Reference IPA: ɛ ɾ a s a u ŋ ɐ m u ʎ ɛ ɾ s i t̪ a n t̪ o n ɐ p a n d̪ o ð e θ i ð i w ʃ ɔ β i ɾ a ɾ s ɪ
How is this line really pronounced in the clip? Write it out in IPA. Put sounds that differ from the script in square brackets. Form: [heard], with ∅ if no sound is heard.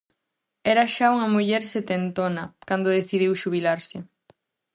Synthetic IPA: ɛ ɾ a [ʃ] a u ŋ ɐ m u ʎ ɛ ɾ s [e] t̪ [e] n t̪ o n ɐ [k] a n d̪ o ð e θ i ð i w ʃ [u] β i [l] a ɾ s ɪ